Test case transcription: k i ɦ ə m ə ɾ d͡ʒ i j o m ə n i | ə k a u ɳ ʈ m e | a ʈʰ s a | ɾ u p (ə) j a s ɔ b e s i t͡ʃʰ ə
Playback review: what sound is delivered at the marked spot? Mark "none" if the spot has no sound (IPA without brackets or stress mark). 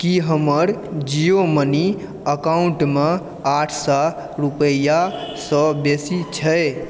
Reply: ə